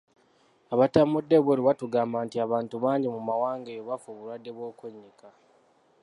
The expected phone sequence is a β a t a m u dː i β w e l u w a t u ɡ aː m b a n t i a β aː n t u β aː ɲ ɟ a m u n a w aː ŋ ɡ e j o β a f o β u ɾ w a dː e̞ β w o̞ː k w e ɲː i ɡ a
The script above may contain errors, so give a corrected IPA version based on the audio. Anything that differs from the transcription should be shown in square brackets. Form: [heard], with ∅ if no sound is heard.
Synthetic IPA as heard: a β a t a m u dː [e] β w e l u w a t u ɡ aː m b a n t i a β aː n t u β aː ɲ ɟ [i] m u [m] a w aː ŋ ɡ e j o β a f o β u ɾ w a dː e̞ β w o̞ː k w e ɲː i [k] a